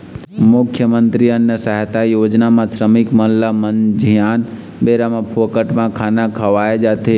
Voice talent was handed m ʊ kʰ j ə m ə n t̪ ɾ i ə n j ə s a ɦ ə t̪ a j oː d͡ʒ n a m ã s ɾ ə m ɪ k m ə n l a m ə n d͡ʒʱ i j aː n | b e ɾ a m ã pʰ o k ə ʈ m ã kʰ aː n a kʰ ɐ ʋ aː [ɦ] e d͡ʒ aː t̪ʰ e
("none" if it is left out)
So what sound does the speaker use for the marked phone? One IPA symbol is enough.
none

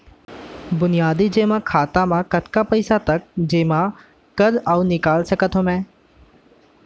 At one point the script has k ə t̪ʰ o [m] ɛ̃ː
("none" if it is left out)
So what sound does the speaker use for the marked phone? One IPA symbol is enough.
m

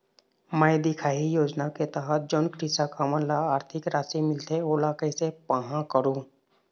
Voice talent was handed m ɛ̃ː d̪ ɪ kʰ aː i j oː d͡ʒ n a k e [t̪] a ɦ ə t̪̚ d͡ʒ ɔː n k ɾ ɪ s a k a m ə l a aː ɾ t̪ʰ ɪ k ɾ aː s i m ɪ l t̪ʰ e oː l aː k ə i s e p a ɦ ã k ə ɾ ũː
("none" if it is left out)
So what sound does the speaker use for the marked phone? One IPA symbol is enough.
t̪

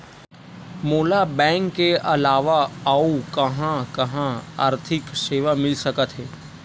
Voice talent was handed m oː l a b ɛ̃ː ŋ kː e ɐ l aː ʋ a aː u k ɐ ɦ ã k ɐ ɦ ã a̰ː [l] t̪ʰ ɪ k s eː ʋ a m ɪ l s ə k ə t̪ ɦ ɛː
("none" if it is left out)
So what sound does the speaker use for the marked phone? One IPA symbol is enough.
ɾ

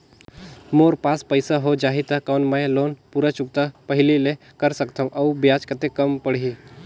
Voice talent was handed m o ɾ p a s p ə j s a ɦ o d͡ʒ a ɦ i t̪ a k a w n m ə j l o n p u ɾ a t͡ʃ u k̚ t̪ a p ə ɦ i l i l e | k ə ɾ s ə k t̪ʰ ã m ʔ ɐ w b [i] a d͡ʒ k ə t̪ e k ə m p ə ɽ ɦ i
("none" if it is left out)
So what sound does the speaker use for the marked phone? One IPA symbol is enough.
j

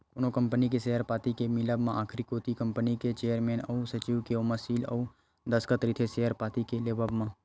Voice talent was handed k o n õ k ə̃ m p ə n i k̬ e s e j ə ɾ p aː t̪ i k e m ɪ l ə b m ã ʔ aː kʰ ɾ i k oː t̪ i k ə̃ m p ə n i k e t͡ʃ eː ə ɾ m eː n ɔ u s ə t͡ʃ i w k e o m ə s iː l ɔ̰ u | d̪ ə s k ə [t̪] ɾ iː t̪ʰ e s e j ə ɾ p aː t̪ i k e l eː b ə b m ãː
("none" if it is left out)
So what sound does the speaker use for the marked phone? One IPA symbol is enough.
t̪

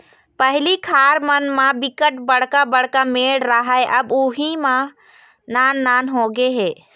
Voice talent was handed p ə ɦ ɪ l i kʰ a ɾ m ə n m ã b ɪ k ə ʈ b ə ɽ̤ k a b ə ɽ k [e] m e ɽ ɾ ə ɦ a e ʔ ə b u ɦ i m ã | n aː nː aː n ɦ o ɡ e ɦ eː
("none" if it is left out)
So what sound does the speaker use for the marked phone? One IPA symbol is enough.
a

